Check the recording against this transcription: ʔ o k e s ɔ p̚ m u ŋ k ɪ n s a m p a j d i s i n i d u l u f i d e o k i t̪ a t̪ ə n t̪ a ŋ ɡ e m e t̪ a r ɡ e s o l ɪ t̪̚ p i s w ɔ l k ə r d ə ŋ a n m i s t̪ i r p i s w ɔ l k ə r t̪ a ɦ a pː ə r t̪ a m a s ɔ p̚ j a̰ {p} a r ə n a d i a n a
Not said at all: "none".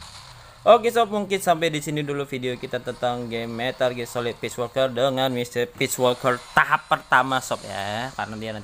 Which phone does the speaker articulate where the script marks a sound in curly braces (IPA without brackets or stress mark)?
k